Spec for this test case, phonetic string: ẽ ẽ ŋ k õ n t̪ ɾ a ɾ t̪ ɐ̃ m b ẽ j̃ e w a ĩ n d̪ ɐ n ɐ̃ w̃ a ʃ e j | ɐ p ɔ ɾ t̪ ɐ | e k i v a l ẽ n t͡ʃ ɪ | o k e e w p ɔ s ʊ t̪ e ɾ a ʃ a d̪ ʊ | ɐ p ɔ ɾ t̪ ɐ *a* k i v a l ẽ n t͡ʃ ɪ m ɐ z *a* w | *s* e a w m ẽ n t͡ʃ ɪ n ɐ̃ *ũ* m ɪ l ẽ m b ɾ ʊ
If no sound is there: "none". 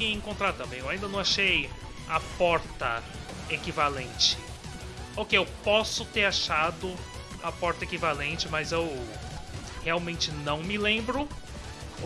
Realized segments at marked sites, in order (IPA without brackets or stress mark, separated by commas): e, e, h, w̃